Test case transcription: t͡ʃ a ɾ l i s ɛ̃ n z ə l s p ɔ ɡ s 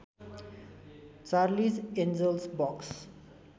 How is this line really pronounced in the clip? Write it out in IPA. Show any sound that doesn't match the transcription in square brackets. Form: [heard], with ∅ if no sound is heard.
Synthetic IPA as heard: t͡ʃ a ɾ l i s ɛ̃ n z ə l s [b] ɔ [k] s